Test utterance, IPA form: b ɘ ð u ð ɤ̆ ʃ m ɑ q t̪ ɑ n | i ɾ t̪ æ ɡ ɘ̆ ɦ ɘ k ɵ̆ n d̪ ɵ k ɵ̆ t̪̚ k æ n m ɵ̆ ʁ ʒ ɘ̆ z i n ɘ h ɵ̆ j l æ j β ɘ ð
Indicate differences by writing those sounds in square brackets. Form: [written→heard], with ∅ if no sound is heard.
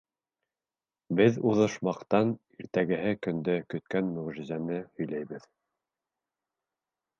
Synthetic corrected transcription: b ɘ ð u ð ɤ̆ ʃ m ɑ q t̪ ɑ n | i ɾ t̪ æ ɡ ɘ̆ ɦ ɘ k ɵ̆ n d̪ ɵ k ɵ̆ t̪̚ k æ n m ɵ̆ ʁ ʒ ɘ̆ z [i→æ] n ɘ h ɵ̆ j l æ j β ɘ ð